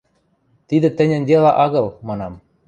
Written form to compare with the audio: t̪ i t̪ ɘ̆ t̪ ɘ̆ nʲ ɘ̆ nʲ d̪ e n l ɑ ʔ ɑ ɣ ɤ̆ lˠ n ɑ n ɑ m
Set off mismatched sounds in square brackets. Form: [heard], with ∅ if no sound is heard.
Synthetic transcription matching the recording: t̪ i [d̪] ɘ̆ t̪ ɘ̆ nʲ ɘ̆ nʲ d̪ e [∅] l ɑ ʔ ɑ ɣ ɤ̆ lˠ [m] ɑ n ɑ m